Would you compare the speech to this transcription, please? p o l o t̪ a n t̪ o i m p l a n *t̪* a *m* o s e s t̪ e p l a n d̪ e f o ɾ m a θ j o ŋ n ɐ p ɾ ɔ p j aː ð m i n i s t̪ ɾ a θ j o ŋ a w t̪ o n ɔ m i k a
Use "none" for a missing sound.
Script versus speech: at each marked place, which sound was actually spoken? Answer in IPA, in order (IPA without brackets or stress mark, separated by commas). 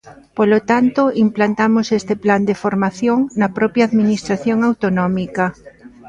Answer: t̪, m